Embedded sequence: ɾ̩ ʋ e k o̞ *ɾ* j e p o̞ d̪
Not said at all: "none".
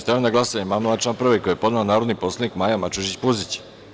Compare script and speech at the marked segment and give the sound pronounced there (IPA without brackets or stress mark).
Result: none